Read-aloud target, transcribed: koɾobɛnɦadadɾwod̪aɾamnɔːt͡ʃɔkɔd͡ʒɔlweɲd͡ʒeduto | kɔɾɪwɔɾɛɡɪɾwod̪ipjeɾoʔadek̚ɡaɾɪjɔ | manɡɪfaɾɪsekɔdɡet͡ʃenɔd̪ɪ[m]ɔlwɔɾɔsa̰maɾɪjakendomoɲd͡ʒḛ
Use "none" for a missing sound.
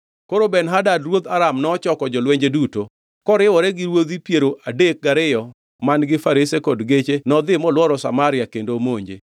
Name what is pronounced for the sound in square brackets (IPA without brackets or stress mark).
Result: m